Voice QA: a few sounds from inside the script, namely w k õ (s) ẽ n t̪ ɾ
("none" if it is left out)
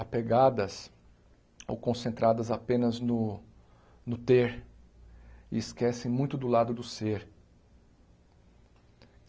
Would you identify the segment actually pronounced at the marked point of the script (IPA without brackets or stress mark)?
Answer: s